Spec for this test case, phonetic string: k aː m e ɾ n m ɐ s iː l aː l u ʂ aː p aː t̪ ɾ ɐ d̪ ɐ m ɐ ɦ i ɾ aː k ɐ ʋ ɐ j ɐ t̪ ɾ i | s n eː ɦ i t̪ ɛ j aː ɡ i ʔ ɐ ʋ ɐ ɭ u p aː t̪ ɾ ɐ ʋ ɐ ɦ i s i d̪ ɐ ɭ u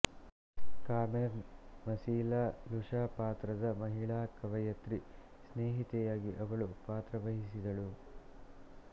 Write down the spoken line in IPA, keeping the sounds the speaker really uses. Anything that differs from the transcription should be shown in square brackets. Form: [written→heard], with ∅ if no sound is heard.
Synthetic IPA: k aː m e ɾ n m ɐ s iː l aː l u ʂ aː p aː t̪ ɾ ɐ d̪ ɐ m ɐ ɦ i [ɾ→ɭ] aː k ɐ ʋ ɐ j ɐ t̪ ɾ i | s n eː ɦ i t̪ ɛ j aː ɡ i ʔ ɐ ʋ ɐ ɭ u p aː t̪ ɾ ɐ ʋ ɐ ɦ i s i d̪ ɐ ɭ u

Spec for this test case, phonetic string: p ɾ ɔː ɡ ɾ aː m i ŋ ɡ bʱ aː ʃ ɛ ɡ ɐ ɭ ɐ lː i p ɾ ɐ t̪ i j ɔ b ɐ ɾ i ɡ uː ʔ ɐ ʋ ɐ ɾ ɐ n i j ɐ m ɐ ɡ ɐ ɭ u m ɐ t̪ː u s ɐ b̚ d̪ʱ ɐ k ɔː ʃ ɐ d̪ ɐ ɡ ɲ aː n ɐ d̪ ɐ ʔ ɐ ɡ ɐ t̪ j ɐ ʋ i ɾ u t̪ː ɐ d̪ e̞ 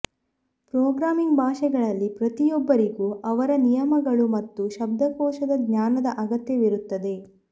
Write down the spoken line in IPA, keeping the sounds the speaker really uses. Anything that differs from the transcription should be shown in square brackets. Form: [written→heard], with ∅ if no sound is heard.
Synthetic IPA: p ɾ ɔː ɡ ɾ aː m i ŋ ɡ bʱ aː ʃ ɛ ɡ ɐ ɭ ɐ lː i p ɾ ɐ t̪ i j ɔ [b→bː] ɐ ɾ i ɡ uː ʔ ɐ ʋ ɐ ɾ ɐ n i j ɐ m ɐ ɡ ɐ ɭ u m ɐ t̪ː u [s→ʃ] ɐ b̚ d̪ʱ ɐ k ɔː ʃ ɐ d̪ ɐ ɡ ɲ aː n ɐ d̪ ɐ ʔ ɐ ɡ ɐ t̪ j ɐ ʋ i ɾ u t̪ː ɐ d̪ e̞

